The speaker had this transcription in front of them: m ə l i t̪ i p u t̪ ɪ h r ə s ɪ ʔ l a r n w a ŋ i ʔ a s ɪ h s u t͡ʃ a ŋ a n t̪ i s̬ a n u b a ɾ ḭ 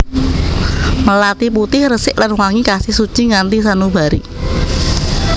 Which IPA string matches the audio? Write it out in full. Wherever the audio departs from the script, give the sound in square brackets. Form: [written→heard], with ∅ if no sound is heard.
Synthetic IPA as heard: m ə l [i→a] t̪ i p u t̪ ɪ h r ə s ɪ ʔ l a [r→∅] n w a ŋ i [ʔ→k] a s ɪ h s u t͡ʃ [a→i] ŋ a n t̪ i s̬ a n u b a ɾ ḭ